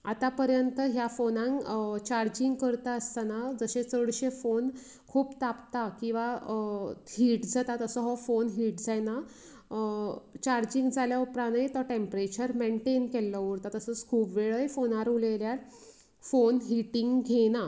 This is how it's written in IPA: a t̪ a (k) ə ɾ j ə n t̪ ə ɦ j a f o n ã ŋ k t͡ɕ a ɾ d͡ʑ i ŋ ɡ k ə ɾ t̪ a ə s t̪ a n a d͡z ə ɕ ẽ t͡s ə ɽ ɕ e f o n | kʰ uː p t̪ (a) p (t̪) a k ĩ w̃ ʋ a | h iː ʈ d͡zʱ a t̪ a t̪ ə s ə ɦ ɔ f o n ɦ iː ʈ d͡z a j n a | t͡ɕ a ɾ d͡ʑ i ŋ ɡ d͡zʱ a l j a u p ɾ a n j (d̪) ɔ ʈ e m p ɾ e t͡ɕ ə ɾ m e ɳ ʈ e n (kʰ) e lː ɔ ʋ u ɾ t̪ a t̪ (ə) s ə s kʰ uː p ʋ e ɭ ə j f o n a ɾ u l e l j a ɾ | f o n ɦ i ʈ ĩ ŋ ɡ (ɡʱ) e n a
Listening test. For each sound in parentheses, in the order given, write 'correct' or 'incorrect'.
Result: incorrect: p, correct, correct, incorrect: t̪, incorrect: k, correct, correct

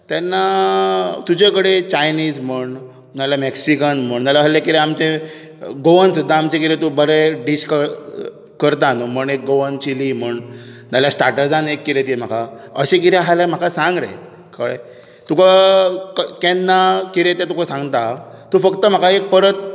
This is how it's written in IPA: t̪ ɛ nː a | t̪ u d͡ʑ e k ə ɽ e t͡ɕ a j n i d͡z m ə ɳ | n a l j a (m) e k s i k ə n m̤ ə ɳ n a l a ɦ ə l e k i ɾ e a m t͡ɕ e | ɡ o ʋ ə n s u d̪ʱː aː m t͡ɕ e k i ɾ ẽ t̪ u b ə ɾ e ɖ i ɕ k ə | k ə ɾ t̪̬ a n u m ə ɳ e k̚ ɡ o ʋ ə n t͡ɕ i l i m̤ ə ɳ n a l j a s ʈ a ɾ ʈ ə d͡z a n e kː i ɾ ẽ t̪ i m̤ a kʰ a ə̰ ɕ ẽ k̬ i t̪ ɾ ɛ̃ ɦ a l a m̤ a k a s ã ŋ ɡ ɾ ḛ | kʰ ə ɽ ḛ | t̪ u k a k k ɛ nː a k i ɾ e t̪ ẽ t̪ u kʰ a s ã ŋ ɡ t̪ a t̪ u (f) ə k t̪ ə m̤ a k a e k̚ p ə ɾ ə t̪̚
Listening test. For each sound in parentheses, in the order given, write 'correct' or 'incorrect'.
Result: correct, correct

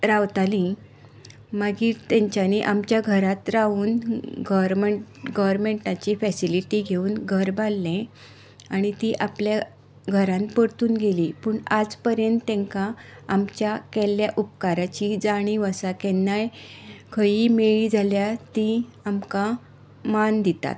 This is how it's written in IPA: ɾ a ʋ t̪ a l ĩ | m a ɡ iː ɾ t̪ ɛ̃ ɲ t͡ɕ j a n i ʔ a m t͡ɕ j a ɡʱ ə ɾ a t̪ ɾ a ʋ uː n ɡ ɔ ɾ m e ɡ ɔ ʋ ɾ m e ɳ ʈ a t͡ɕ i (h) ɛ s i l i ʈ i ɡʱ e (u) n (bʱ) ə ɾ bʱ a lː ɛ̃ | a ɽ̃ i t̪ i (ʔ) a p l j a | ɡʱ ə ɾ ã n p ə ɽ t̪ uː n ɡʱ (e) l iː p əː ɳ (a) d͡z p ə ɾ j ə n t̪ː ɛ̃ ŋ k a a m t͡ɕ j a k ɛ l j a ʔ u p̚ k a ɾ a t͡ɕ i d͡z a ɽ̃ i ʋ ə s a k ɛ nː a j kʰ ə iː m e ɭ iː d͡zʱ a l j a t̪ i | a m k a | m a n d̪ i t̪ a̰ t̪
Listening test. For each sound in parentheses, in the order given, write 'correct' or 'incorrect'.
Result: incorrect: f, incorrect: uː, incorrect: ɡʱ, correct, correct, correct

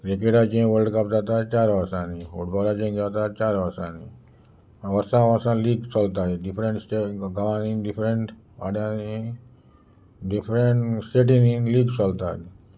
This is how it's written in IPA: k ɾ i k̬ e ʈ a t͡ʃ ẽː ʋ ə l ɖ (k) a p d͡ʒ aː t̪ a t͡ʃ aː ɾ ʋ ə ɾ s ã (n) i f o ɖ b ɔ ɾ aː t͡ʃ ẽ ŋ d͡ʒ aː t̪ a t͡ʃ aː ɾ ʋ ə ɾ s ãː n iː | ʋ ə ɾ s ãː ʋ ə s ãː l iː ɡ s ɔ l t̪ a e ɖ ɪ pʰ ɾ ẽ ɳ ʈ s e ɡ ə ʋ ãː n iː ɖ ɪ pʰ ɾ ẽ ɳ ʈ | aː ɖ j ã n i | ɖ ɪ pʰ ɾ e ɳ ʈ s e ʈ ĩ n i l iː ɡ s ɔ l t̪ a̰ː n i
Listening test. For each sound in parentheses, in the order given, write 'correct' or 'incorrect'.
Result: correct, correct

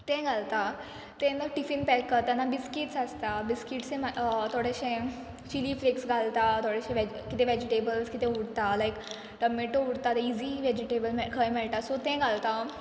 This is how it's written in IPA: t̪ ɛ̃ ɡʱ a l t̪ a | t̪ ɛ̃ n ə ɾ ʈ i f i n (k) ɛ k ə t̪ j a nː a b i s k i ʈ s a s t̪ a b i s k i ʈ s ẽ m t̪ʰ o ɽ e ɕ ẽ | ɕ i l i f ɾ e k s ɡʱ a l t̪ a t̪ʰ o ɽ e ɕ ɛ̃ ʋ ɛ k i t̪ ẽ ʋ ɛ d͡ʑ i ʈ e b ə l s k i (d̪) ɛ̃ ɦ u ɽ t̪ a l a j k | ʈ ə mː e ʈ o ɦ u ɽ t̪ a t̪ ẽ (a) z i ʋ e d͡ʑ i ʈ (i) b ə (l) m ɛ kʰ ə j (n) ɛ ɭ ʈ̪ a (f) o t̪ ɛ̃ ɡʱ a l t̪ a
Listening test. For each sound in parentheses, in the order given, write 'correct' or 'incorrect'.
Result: incorrect: p, incorrect: t̪, incorrect: i, incorrect: e, correct, incorrect: m, incorrect: s

